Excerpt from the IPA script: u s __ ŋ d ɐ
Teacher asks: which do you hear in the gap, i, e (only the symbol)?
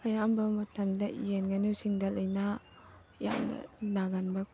i